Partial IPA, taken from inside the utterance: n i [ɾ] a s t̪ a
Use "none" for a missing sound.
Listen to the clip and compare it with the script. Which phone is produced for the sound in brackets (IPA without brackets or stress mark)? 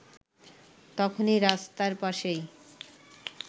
ɾ